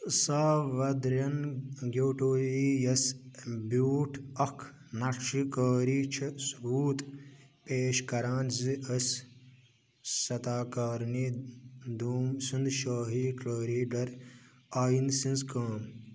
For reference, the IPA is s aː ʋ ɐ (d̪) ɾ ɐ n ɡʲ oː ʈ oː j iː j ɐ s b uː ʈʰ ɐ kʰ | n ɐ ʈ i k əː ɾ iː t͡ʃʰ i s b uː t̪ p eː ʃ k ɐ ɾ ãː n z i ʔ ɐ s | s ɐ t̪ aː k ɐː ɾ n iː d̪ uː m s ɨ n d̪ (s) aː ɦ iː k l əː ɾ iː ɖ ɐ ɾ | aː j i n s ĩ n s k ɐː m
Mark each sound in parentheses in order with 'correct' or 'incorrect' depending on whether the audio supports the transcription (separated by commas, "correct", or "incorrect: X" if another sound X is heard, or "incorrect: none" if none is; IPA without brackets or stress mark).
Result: correct, incorrect: ʃ